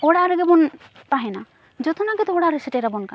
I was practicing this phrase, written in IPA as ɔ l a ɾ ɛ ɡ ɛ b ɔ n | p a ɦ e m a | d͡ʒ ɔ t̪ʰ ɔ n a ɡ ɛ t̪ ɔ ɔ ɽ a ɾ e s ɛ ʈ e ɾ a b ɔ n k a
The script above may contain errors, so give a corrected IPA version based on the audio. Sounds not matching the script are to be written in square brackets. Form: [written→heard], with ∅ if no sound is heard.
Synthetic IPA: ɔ [l→ɽ] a ɾ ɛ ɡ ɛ b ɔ n | p a ɦ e [m→n] a | d͡ʒ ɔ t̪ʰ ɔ n a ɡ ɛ t̪ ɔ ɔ ɽ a ɾ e s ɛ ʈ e ɾ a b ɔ n k a